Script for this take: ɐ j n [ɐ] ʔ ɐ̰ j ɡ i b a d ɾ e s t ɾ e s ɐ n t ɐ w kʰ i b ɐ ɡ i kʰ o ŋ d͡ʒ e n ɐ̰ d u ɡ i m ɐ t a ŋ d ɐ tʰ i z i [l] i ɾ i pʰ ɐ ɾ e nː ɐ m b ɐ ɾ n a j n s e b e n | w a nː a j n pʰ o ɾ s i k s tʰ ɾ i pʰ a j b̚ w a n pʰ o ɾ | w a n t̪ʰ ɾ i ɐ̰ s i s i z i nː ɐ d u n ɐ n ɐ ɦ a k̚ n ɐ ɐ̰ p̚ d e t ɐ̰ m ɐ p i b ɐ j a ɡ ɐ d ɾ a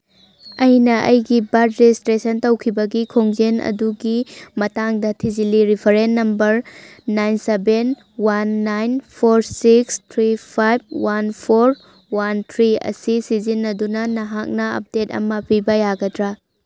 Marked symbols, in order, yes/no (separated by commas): yes, yes